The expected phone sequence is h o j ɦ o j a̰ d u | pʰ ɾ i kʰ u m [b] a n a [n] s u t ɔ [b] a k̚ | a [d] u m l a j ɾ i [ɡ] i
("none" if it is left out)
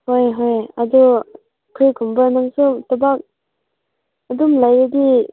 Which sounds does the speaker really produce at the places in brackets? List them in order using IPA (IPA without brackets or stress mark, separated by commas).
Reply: b, ŋ, b, d, d